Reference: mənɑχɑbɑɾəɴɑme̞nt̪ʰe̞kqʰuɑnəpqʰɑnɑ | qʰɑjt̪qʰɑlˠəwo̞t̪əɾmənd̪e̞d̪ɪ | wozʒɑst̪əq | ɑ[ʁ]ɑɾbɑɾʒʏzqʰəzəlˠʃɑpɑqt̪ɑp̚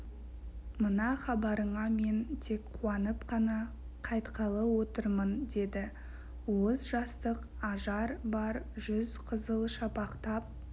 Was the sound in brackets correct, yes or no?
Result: no